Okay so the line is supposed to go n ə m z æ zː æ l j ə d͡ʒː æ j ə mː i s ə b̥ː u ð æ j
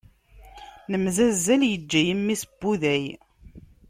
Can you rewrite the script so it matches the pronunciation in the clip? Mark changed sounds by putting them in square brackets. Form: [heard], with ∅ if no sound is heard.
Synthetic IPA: n ə m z æ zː æ l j ə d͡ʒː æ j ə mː i s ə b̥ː u ð æ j